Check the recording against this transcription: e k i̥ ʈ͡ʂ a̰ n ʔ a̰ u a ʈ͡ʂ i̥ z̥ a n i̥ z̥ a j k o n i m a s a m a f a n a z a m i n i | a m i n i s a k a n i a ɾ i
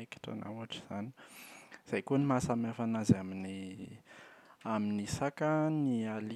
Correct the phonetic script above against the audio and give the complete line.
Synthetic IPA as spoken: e k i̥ ʈ͡ʂ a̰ n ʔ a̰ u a ʈ͡ʂ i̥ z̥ a n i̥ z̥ a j k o n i m a s a m a f a n a z a m i n i | a m i n i s a k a n i a l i